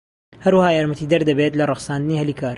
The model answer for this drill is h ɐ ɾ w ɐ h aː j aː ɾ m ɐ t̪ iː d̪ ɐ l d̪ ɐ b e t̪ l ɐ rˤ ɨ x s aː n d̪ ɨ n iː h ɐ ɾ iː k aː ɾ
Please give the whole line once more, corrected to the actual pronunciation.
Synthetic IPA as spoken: h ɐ ɾ w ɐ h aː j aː ɾ m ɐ t̪ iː d̪ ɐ ɾ d̪ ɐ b e t̪ l ɐ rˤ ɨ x s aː n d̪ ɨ n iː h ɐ l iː k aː ɾ